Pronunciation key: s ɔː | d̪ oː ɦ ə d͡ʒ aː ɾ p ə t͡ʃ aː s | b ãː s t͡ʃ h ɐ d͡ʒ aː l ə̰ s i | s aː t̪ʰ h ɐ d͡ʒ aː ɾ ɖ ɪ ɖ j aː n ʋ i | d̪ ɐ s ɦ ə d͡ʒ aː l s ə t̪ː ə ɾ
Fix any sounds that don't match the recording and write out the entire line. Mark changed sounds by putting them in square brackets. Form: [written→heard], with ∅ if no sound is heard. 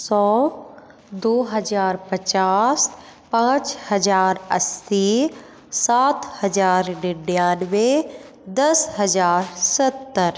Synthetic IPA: s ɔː | d̪ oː ɦ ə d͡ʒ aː ɾ p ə t͡ʃ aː s | [b→p] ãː [s→∅] t͡ʃ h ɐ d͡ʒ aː [l→ɾ] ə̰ s i | s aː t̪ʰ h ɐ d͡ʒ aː ɾ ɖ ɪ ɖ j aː n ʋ [i→e] | d̪ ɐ s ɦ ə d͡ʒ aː [l→ɾ] s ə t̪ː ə ɾ

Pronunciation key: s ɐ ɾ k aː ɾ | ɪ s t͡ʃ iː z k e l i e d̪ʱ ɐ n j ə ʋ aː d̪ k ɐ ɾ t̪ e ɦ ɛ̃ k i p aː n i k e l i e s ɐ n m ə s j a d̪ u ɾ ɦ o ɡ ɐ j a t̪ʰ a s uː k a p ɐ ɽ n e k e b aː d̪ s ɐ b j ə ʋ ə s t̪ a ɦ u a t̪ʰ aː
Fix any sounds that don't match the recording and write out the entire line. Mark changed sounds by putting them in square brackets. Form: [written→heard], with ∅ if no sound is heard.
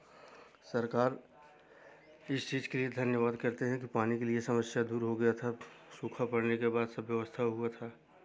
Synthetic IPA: s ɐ ɾ k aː ɾ | ɪ s t͡ʃ iː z k e l i e d̪ʱ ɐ n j ə ʋ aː d̪ k ɐ ɾ t̪ e ɦ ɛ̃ k i p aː n i k e l i e s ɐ [n→∅] m ə s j a d̪ [u→uː] ɾ ɦ o ɡ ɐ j a t̪ʰ a s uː [k→kʰ] a p ɐ ɽ n e k e b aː d̪ s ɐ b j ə ʋ ə s [t̪→t̪ʰ] a ɦ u a t̪ʰ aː

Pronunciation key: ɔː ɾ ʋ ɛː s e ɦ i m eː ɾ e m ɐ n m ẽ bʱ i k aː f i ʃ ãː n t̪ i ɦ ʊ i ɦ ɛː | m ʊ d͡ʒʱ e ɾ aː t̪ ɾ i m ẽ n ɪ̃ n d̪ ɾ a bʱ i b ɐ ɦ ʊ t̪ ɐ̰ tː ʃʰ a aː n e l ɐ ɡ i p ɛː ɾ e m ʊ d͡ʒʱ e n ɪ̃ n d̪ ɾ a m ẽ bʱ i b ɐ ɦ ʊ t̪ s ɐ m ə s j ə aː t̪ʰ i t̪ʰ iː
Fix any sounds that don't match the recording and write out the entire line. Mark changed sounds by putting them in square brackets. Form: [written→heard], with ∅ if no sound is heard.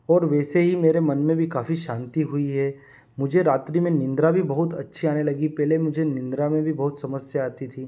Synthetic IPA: ɔː ɾ ʋ ɛː s e ɦ i m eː ɾ e m ɐ n m ẽ bʱ i k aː f i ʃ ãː n t̪ i ɦ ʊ i ɦ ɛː | m ʊ d͡ʒʱ e ɾ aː t̪ ɾ i m ẽ n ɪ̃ n d̪ ɾ a bʱ i b ɐ ɦ ʊ t̪ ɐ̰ tː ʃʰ [a→i] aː n e l ɐ ɡ i p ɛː [ɾ→l] e m ʊ d͡ʒʱ e n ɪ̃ n d̪ ɾ a m ẽ bʱ i b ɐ ɦ ʊ t̪ s ɐ m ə s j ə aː [t̪ʰ→t̪] i t̪ʰ iː

